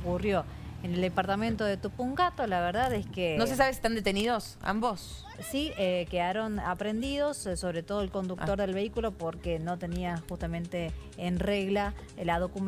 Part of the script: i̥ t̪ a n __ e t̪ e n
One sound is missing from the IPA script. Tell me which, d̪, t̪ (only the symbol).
d̪